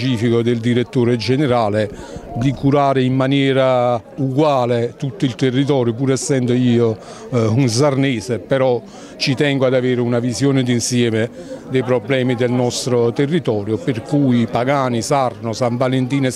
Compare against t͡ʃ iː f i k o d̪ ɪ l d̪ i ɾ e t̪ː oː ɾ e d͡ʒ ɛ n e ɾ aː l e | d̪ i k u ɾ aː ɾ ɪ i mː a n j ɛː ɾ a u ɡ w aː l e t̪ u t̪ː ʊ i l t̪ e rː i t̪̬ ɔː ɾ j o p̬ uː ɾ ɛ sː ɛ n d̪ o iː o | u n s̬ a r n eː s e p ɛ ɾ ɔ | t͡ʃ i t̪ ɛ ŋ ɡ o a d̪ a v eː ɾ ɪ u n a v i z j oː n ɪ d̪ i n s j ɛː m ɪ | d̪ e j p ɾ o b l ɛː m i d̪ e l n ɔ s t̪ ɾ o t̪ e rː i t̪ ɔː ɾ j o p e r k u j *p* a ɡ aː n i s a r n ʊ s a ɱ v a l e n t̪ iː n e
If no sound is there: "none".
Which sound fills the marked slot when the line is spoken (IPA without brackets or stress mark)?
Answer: p